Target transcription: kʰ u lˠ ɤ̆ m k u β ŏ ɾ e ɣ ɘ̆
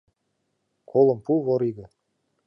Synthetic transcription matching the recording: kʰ o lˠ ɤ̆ m p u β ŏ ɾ i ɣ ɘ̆

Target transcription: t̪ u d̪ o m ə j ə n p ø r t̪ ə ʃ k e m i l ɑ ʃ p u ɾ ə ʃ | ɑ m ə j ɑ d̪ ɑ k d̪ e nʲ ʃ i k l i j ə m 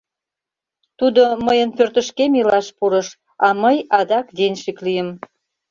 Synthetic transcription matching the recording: t̪ u d̪ o m ə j ə n p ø r t̪ ə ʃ k e m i l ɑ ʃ p u ɾ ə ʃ | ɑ m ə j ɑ d̪ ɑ k d̪ e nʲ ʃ i k l i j ə m

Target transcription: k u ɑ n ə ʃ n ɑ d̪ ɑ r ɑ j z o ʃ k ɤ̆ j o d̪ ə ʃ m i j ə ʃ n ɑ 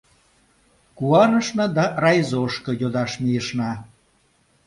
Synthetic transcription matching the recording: k u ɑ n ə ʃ n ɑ d̪ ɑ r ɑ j z o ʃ k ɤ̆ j o d̪ ɑ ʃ m i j ə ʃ n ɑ

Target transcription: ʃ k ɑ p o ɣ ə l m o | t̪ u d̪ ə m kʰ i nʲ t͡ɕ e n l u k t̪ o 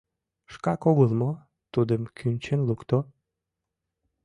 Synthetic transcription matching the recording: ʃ k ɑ k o ɣ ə l m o | t̪ u d̪ ə m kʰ y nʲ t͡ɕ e n l u k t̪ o

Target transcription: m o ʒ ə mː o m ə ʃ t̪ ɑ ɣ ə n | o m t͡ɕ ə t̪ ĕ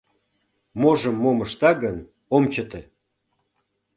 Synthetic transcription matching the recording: m o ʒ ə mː o m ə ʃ t̪ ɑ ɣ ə n | o m t͡ɕ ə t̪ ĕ

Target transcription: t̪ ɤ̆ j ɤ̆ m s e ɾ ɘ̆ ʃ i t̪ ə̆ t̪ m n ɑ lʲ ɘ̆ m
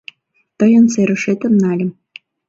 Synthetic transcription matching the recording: t̪ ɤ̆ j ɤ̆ n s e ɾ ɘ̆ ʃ e t̪ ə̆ m n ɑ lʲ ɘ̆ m

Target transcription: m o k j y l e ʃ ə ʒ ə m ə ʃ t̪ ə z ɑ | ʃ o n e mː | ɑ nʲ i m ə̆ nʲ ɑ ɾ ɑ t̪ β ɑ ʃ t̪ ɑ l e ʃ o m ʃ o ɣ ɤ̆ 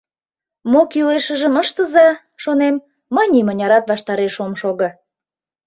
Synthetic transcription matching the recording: m o k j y l e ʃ ə ʒ ə m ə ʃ t̪ ə z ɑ | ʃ o n e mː | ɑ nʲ i m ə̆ nʲ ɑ ɾ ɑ t̪ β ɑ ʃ t̪ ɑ ɾ e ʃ o m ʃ o ɣ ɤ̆

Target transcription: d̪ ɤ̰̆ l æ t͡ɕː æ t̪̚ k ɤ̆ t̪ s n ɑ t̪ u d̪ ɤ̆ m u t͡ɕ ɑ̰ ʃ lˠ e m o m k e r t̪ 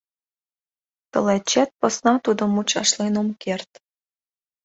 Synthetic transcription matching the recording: t̪ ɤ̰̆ l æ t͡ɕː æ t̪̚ p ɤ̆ s n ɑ t̪ u d̪ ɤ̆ m u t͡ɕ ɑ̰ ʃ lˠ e n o m k e r t̪

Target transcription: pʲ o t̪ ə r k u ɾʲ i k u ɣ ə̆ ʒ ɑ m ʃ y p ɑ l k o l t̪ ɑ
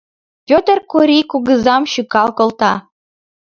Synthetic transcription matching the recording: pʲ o t̪ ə r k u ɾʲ i k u ɣ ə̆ z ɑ m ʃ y k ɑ l k o l t̪ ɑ

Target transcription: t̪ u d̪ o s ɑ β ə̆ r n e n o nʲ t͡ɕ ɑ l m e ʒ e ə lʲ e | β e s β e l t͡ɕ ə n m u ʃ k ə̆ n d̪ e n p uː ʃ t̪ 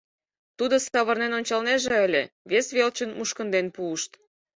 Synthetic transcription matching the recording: t̪ u d̪ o s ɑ β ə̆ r n e n o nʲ t͡ɕ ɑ l n e ʒ e ə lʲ e | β e s β e l t͡ɕ ə n m u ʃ k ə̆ n d̪ e n p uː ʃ t̪

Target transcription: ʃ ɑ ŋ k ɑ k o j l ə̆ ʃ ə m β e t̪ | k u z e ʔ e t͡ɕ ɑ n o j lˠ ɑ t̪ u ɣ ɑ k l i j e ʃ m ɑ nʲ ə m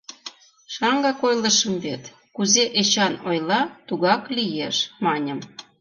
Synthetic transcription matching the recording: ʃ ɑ ŋ ɡ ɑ k o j l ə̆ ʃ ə m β e t̪ | k u z e ʔ e t͡ɕ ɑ n o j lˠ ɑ t̪ u ɣ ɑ k l i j e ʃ m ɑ nʲ ə m

